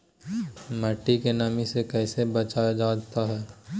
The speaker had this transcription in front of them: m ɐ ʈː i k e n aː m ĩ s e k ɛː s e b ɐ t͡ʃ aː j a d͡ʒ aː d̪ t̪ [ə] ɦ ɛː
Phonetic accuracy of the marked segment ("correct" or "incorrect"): incorrect